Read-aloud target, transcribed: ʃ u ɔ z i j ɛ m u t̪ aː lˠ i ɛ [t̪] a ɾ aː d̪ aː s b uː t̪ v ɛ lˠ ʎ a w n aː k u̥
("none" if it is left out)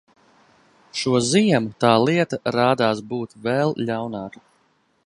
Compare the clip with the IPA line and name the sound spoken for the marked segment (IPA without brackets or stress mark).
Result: t̪